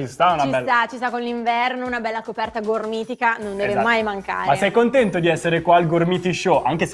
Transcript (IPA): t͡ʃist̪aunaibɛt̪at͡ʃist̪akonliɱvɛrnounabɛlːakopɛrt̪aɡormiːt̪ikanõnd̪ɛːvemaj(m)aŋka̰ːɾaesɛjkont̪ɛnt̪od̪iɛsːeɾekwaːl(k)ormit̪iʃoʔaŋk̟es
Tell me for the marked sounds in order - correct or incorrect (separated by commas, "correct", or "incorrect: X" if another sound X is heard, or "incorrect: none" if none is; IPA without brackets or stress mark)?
correct, incorrect: ɡ